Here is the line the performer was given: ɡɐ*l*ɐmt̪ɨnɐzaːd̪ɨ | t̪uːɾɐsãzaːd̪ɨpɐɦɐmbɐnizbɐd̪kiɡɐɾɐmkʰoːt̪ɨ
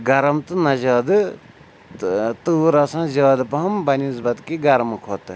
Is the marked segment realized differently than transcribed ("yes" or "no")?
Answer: yes